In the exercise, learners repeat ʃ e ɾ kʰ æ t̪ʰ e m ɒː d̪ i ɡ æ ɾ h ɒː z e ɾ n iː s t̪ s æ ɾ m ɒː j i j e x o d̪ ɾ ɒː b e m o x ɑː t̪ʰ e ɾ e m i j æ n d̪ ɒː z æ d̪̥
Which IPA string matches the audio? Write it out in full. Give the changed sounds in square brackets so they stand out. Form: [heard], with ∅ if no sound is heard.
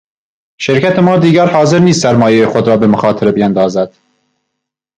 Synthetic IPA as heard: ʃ e ɾ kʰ æ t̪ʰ e m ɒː d̪ [iː] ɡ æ ɾ h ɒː z e ɾ n iː s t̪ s æ ɾ m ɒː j [e] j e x o d̪ ɾ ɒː b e m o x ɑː t̪ʰ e ɾ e [b] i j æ n d̪ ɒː z æ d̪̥